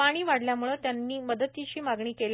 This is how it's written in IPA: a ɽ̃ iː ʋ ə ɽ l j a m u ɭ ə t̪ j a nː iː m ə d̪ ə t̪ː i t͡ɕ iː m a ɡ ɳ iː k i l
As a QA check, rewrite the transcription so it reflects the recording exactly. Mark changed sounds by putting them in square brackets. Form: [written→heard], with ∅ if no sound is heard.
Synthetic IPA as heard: a ɽ̃ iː ʋ [ə→a] ɽ l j a m u ɭ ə t̪ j a nː iː m ə d̪ ə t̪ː i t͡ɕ iː m a ɡ ɳ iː k [i→e] l